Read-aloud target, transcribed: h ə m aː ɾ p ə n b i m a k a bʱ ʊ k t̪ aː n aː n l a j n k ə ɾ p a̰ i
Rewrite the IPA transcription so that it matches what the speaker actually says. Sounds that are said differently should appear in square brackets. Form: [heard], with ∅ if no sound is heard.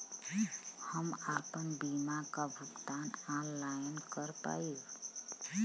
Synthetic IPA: h ə m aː [∅] p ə n b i m a k a bʱ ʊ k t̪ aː n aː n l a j n k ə ɾ p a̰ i